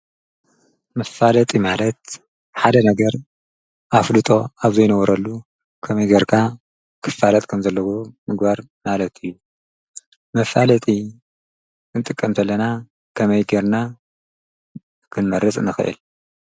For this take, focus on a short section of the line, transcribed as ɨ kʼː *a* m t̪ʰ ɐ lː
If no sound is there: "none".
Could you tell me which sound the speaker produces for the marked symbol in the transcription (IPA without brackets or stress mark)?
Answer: ɐ